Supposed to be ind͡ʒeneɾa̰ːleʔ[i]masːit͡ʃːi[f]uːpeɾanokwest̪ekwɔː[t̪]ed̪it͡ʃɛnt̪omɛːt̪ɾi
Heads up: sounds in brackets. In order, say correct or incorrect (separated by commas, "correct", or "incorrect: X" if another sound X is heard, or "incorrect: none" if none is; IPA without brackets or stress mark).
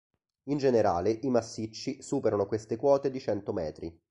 correct, incorrect: s, correct